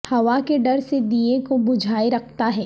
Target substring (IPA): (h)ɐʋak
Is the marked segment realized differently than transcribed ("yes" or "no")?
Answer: no